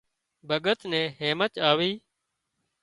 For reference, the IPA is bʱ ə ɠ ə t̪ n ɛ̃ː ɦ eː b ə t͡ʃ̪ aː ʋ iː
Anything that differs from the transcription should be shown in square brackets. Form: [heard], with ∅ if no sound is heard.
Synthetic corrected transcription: bʱ ə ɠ ə t̪ n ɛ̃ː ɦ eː [m] ə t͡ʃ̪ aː ʋ iː